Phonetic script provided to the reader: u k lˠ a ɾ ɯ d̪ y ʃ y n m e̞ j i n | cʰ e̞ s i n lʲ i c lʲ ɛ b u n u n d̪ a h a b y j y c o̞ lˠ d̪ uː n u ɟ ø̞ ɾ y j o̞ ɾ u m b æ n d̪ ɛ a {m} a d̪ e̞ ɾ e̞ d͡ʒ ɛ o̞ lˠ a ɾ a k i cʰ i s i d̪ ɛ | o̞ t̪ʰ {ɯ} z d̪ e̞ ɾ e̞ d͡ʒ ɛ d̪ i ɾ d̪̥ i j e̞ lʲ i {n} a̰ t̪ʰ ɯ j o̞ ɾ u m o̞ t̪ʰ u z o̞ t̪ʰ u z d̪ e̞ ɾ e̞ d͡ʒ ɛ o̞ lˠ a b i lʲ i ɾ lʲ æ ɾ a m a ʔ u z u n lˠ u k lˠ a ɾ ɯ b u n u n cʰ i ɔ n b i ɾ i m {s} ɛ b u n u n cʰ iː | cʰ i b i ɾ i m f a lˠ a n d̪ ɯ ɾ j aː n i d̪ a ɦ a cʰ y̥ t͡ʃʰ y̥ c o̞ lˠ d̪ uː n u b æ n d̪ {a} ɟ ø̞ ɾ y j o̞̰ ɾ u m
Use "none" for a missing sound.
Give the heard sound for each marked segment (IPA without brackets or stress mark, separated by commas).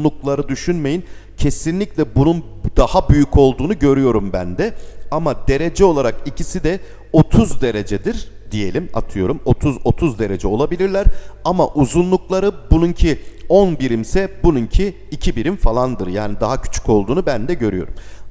m, u, m, s, ɛ